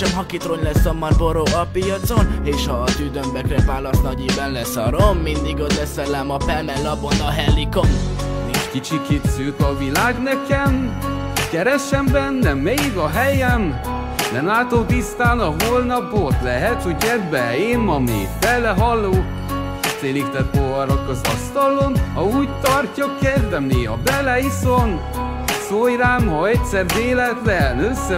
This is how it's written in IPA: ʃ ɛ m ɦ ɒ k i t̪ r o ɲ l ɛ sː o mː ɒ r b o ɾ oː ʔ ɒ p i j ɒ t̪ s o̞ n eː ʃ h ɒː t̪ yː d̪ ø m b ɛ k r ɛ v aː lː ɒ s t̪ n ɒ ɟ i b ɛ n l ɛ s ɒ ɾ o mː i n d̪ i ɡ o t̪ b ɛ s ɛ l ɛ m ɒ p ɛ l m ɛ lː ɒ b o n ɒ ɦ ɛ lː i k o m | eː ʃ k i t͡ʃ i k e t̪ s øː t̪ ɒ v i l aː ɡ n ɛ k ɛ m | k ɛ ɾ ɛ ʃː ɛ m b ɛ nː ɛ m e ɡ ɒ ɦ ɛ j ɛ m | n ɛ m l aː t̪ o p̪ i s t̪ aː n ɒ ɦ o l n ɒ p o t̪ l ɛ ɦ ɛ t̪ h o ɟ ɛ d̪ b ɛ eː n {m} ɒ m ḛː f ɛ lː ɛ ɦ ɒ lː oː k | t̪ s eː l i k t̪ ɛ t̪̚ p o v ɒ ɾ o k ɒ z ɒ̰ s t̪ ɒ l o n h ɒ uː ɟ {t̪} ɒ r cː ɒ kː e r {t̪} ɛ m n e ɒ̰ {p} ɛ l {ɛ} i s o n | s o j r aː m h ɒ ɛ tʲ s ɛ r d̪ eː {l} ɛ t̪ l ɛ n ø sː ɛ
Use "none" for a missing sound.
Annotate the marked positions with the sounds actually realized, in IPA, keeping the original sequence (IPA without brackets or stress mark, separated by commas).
m, t̪, d̪, b, ɛ, l